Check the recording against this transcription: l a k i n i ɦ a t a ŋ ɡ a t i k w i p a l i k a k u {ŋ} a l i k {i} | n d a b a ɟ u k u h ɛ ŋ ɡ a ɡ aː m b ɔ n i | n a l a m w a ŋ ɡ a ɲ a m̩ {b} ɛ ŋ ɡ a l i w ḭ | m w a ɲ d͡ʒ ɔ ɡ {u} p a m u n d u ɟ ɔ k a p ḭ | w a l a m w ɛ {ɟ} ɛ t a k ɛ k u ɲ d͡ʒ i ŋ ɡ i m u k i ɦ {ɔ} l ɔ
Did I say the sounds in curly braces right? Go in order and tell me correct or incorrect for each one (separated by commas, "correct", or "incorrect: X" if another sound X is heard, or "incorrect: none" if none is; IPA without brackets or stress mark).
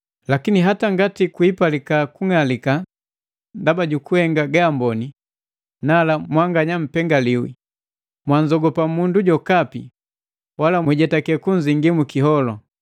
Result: correct, incorrect: a, incorrect: p, incorrect: ɔ, correct, correct